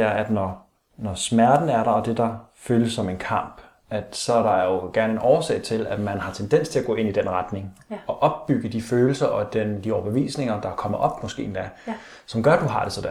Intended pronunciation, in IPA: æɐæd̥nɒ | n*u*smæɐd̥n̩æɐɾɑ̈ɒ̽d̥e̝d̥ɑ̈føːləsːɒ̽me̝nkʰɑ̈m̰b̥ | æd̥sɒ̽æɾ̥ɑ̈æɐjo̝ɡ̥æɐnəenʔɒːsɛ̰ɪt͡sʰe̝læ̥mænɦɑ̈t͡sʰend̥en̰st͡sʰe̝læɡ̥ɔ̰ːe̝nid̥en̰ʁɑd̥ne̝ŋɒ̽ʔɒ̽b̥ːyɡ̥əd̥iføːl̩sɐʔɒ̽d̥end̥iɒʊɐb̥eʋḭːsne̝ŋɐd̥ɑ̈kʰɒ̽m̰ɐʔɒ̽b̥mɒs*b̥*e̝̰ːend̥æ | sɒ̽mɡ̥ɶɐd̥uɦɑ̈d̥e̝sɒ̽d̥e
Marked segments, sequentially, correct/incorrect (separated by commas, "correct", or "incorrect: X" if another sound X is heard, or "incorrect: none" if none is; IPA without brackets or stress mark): incorrect: ɒ, incorrect: ɡ̥